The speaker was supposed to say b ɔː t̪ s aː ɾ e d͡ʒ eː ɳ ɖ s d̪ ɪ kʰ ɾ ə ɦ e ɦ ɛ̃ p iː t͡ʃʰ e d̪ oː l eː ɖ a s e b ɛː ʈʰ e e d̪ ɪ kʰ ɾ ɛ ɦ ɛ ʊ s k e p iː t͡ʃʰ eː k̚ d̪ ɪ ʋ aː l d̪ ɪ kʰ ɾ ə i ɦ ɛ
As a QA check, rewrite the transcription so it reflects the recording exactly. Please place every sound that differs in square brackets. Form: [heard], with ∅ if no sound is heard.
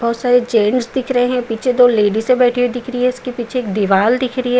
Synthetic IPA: b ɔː t̪ s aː ɾ e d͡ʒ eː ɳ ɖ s d̪ ɪ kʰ ɾ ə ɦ e ɦ ɛ̃ p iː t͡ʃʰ e d̪ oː l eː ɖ [i] s e b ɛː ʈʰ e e d̪ ɪ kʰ ɾ [i] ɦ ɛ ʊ s k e p iː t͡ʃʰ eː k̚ d̪ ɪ ʋ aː l d̪ ɪ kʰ ɾ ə i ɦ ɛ